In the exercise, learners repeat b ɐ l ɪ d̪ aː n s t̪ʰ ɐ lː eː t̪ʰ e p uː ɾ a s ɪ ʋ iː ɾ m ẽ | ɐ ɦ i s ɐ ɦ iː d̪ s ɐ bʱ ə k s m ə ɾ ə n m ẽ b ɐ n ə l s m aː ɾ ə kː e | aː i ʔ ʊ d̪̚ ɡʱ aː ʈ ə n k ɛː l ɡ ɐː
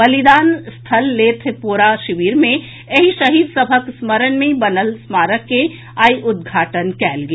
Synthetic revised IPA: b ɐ l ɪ d̪ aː n s t̪ʰ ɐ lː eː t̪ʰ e p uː ɾ a ʃ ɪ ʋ iː ɾ m ẽ | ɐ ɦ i ʃ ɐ ɦ iː d̪ s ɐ bʱ ə k s m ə ɾ ə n m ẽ b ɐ n ə l s m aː ɾ ə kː e | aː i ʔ ʊ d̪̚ ɡʱ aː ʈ ə n k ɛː l ɡ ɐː